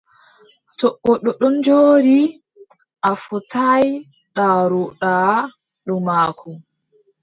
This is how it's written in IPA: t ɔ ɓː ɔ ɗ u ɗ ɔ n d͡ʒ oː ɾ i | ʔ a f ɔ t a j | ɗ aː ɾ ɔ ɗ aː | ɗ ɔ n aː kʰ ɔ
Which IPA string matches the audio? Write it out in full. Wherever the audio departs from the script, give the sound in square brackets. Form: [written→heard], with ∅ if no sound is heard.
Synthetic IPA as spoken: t ɔ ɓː ɔ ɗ [u→ɔ] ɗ ɔ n d͡ʒ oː ɾ i | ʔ a f ɔ t a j | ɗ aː ɾ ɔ ɗ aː | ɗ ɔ [n→m] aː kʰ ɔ